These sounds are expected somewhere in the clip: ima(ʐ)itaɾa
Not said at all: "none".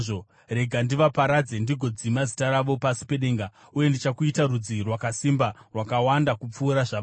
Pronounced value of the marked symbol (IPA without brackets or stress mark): z